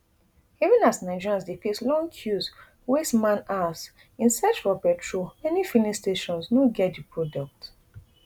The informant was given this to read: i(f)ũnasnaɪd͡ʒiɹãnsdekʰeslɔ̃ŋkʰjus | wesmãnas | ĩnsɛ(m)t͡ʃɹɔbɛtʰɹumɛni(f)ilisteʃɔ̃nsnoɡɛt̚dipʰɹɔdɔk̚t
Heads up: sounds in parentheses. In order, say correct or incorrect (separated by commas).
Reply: incorrect, incorrect, correct